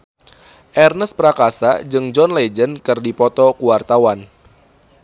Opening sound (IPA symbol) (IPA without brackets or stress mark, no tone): ʔ